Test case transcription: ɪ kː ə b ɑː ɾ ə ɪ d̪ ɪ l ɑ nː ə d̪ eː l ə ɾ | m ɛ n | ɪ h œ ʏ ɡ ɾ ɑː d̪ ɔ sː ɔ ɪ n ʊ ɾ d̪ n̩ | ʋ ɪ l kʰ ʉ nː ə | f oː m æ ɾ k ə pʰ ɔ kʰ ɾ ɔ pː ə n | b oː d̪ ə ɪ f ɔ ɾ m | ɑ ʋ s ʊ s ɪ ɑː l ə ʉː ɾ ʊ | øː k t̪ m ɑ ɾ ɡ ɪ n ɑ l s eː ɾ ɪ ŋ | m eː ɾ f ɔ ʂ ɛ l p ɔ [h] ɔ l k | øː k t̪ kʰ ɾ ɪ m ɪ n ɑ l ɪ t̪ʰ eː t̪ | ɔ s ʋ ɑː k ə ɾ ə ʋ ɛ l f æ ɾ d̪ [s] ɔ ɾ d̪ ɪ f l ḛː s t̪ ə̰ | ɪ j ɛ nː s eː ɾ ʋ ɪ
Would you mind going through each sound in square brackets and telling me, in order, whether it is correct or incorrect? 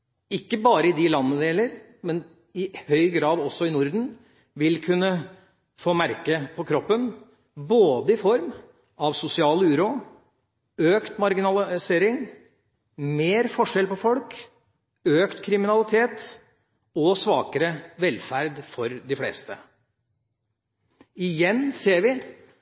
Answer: incorrect: f, incorrect: f

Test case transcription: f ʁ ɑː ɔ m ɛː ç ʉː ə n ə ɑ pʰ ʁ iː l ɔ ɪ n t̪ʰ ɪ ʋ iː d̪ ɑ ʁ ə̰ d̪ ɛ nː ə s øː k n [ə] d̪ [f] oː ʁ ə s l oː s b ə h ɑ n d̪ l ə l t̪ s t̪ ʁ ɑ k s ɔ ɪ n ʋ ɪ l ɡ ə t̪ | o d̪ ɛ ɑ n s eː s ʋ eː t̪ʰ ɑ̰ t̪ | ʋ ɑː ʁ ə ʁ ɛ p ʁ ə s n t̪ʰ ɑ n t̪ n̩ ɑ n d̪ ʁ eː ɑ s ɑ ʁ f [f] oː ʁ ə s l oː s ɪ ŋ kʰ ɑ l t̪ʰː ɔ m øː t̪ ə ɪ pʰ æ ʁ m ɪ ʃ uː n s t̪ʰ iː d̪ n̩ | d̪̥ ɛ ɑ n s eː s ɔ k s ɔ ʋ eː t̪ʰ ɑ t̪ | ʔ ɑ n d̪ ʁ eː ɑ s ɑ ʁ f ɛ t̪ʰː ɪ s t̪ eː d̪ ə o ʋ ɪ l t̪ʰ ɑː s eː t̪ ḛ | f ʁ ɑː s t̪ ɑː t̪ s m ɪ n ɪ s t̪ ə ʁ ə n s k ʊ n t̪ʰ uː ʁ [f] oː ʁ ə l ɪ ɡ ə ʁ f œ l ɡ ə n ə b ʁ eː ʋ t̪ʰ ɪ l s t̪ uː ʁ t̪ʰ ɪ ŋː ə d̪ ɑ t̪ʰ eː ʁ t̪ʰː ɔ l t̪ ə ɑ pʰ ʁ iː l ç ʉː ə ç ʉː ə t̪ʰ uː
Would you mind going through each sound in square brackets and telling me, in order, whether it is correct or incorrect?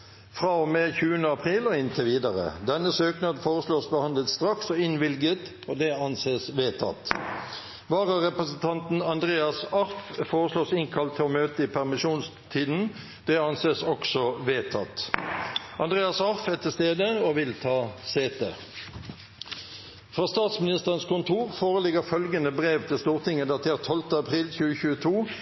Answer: incorrect: ɑ, correct, correct, correct

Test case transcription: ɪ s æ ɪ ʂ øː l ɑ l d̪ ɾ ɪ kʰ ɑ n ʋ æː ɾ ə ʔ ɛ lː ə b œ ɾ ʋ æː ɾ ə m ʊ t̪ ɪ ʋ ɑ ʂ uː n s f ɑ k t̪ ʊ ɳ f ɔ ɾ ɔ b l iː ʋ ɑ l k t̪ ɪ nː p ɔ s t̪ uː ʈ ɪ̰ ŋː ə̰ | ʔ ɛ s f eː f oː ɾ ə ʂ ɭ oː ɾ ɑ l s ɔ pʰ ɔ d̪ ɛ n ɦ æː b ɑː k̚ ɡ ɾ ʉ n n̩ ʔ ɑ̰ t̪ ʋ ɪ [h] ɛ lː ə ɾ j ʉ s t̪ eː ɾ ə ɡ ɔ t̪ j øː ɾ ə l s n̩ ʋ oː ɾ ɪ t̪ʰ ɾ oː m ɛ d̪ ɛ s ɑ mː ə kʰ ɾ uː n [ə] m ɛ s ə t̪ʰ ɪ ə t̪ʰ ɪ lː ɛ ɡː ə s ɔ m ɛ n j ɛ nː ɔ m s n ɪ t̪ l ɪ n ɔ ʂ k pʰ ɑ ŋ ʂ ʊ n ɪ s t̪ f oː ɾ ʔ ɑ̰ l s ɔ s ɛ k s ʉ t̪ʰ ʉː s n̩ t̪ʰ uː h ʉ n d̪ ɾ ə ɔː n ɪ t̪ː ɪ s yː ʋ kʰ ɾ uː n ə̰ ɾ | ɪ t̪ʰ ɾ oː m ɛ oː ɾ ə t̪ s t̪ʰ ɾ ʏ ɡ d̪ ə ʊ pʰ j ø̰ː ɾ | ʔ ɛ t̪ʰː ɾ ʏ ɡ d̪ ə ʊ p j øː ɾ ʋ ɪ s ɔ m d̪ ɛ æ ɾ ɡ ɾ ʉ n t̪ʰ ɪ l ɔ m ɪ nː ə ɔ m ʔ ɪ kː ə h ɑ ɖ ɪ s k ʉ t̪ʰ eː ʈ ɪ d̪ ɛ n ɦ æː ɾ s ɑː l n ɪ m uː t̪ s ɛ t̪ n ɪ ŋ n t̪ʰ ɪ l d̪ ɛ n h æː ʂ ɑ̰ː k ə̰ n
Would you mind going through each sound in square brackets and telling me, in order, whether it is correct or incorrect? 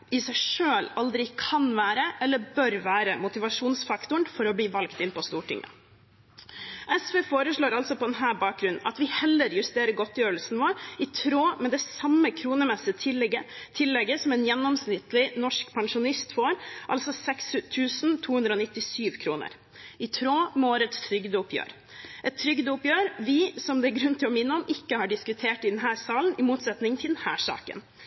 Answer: correct, correct

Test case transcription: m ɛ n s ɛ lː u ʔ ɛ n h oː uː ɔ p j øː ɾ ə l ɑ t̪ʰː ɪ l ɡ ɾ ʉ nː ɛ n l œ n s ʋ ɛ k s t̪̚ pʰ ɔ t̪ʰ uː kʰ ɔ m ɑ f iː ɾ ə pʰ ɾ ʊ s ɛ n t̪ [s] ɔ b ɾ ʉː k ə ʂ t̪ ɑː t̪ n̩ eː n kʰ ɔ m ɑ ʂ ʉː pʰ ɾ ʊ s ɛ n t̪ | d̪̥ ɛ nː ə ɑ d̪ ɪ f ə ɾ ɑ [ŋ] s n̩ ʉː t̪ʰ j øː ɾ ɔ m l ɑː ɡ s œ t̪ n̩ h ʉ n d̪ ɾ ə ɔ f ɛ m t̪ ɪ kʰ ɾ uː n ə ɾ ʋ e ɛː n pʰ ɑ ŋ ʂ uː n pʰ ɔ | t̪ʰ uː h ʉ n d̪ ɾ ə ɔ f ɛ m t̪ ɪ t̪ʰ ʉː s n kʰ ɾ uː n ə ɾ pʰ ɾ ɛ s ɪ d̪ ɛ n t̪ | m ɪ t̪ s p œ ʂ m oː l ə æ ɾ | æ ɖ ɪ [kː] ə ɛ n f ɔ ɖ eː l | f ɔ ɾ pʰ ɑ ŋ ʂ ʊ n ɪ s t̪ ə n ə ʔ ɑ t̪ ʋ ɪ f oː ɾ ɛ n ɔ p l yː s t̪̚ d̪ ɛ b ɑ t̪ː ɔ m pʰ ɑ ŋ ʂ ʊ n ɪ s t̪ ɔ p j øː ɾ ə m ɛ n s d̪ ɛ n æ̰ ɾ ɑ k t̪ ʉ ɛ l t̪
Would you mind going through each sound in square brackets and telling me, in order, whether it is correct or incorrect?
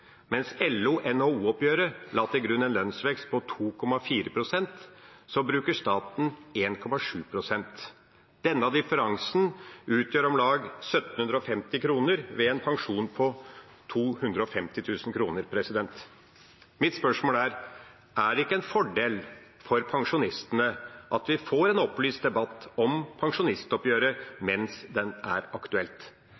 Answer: correct, correct, correct

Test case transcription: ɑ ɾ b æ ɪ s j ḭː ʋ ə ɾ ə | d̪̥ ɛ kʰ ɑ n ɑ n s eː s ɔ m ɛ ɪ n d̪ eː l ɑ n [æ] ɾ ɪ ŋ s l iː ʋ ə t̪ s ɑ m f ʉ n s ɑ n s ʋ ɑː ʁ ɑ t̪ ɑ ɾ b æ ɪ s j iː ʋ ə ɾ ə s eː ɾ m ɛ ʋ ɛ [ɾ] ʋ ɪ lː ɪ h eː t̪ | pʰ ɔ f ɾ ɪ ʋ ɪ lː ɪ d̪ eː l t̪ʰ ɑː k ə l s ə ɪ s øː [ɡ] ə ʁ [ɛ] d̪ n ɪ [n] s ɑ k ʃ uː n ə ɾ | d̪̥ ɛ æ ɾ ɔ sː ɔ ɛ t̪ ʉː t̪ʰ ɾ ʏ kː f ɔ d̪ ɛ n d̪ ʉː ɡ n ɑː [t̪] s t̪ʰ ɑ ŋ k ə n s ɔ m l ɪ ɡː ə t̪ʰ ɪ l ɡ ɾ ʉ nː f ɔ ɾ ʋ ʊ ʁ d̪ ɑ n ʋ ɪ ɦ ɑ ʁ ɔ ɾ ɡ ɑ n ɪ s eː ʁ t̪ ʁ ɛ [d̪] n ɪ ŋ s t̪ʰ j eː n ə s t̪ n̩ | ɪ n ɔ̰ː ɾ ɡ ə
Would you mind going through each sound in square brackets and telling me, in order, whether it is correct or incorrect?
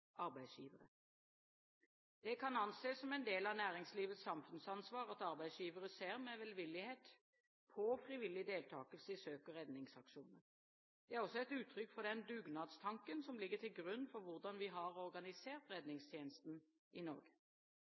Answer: incorrect: æː, incorrect: l, incorrect: k, correct, incorrect: ŋ, incorrect: d̪, correct

